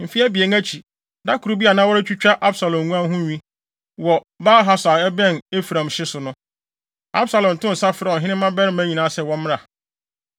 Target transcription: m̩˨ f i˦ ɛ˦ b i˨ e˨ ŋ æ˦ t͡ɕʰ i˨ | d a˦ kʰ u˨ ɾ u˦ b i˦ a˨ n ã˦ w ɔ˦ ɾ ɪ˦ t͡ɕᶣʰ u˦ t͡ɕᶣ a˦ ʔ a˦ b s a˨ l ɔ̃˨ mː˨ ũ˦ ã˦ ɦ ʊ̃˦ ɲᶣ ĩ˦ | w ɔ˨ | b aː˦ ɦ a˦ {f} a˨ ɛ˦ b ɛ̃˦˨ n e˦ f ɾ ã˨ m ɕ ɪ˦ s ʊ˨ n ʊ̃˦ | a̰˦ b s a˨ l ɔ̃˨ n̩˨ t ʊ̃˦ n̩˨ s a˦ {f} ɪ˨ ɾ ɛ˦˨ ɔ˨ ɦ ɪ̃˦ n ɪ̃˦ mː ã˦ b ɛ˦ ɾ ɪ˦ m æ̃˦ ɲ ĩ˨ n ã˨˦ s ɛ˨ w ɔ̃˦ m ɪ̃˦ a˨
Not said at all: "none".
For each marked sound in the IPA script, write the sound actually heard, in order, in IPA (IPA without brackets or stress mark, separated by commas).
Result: s, f